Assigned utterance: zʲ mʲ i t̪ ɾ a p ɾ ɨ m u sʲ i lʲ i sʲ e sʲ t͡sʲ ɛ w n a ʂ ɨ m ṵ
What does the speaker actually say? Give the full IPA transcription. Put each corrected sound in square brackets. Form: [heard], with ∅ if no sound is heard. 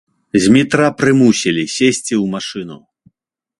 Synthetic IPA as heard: zʲ mʲ i t̪ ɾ a p ɾ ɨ m u sʲ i lʲ i sʲ e sʲ t͡sʲ [i] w [m] a ʂ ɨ [n] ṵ